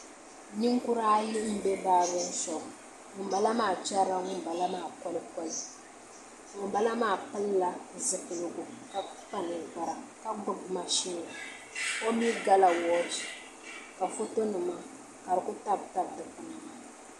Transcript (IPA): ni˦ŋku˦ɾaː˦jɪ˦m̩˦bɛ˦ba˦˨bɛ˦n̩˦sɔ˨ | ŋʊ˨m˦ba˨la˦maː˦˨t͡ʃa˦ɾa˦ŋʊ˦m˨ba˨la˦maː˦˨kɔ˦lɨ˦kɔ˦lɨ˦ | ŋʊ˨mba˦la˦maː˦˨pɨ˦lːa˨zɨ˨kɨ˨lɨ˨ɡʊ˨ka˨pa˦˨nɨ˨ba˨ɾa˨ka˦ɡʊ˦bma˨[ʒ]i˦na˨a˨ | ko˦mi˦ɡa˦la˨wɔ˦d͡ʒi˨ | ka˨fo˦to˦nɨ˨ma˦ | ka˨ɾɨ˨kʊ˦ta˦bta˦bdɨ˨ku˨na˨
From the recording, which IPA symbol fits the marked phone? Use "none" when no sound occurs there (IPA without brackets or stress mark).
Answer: ʃ